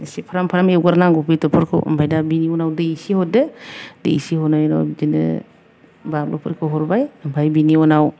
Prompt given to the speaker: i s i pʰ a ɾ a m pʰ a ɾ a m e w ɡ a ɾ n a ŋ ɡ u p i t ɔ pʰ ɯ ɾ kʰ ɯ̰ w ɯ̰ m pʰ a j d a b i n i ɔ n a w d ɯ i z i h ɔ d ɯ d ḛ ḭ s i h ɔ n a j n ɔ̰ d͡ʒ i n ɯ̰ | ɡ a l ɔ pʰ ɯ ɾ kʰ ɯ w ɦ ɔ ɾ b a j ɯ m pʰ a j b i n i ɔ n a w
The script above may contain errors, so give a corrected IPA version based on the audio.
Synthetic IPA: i s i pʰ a ɾ a m pʰ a ɾ a m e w ɡ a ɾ n a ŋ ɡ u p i t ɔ pʰ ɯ ɾ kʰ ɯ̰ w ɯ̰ m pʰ a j d a b i n i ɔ n a w d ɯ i s i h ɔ d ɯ d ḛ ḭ s i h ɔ n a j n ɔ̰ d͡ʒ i n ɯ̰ | b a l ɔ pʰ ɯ ɾ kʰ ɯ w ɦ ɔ ɾ b a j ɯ m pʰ a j b i n i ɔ n a w